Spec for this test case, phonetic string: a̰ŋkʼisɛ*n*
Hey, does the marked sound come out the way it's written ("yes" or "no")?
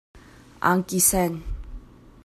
yes